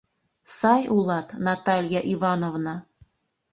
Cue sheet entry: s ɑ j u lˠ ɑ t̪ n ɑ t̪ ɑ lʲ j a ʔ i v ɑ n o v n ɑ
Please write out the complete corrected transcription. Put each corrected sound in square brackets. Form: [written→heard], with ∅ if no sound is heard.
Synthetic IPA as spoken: s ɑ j u lˠ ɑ t̪ n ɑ t̪ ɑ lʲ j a ʔ i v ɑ n o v n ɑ